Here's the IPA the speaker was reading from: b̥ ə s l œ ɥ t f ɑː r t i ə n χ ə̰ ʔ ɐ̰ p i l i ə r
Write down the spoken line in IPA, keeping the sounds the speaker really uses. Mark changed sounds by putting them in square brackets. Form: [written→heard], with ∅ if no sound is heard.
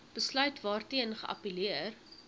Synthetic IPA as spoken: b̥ ə s l œ ɥ t [f→v] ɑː r t i ə n χ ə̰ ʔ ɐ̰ p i l i ə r